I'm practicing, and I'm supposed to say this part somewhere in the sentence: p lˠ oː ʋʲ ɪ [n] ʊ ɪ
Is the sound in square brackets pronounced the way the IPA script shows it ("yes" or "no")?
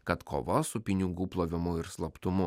no